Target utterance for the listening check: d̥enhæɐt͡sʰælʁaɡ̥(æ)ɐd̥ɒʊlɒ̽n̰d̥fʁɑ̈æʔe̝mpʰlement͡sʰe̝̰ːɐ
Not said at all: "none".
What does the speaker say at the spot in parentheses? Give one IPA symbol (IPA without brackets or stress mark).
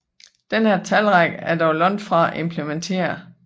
æ